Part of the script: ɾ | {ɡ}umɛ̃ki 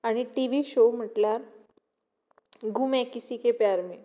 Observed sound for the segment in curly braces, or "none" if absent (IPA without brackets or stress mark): ɡ